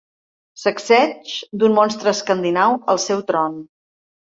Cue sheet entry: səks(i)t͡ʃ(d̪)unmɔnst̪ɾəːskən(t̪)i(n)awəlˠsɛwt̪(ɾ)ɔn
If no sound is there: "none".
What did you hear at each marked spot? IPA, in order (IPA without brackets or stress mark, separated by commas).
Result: ɛ, d̪, d̪, n, ɾ